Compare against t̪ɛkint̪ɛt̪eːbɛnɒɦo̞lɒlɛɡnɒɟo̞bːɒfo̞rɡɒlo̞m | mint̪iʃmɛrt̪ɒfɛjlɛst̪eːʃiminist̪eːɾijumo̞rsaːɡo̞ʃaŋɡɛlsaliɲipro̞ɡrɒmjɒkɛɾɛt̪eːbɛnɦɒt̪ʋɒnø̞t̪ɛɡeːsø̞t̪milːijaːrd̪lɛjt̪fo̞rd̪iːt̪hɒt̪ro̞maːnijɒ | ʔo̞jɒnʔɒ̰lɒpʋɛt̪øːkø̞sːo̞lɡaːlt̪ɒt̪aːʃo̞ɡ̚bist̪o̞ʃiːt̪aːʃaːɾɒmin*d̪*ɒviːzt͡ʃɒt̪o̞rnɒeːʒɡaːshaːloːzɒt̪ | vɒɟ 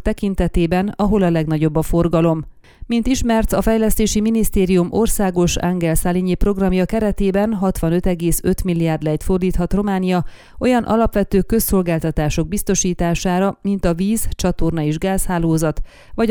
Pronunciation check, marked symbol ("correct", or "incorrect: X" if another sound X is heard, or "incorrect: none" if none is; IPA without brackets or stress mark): incorrect: t̪